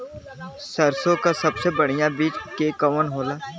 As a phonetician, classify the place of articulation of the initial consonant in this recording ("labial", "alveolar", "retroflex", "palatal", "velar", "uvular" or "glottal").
alveolar